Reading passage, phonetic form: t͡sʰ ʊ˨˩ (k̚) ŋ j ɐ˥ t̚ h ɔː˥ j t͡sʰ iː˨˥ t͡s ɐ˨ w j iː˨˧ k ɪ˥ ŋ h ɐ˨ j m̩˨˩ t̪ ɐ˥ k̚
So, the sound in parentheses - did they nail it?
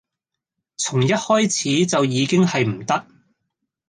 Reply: no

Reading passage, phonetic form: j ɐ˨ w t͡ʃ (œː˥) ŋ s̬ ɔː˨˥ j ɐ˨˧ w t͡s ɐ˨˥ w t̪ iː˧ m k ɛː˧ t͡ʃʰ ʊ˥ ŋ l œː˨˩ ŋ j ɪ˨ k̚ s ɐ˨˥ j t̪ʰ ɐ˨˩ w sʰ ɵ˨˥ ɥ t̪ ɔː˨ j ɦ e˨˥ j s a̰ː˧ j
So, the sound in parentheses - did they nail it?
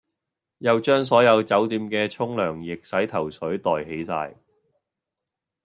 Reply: yes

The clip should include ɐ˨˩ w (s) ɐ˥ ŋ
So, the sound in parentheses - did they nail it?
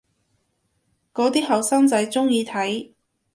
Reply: yes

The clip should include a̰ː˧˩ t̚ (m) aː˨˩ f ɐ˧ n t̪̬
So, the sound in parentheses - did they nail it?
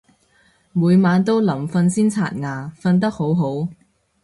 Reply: no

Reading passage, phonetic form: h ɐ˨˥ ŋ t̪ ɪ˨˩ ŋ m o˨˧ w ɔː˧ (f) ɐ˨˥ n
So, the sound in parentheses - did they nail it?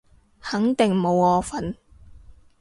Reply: yes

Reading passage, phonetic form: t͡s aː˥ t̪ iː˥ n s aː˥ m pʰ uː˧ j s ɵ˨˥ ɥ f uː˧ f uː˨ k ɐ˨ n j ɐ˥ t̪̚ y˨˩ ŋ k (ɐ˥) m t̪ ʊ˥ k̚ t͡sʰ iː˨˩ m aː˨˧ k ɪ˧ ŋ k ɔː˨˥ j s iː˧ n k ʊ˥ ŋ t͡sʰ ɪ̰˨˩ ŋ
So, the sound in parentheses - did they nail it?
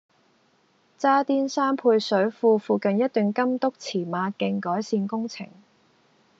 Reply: yes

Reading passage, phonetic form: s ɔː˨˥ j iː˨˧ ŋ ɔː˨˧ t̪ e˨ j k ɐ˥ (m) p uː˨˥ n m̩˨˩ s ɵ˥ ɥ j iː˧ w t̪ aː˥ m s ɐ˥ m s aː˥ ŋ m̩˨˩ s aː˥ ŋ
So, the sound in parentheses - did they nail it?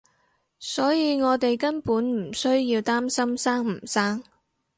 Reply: no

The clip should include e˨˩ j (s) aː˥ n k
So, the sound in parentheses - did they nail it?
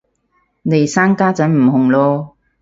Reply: yes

